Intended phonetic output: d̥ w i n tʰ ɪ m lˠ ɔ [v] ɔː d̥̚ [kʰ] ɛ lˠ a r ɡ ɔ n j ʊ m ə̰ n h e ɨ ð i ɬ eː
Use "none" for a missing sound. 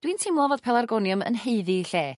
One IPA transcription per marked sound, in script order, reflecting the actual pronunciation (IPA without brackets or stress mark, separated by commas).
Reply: v, pʰ